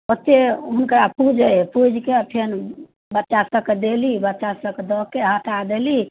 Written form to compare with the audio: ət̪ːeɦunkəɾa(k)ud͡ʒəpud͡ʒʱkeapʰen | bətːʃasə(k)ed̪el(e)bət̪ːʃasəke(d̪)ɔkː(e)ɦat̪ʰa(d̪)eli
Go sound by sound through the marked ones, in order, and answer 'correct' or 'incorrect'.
incorrect: p, correct, incorrect: i, correct, correct, correct

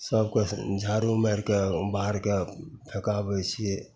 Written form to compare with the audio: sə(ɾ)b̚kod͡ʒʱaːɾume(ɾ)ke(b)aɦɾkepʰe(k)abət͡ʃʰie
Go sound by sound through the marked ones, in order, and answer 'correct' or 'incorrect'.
incorrect: none, correct, correct, correct

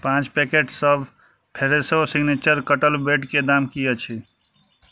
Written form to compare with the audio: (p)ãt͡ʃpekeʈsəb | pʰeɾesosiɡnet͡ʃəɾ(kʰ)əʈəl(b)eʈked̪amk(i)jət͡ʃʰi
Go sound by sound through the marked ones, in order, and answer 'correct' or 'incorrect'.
correct, incorrect: k, correct, correct

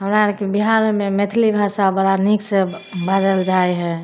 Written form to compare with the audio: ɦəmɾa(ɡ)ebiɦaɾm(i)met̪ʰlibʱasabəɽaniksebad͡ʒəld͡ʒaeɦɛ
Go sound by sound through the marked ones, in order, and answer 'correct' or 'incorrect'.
incorrect: k, incorrect: e

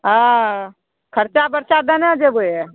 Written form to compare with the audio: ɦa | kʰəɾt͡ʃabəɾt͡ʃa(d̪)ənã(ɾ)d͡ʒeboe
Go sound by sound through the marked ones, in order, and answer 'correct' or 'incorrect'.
correct, incorrect: none

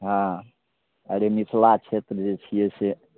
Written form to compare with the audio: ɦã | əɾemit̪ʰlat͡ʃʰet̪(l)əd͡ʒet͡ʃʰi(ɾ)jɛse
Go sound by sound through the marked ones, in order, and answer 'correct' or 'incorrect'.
incorrect: ɾ, incorrect: none

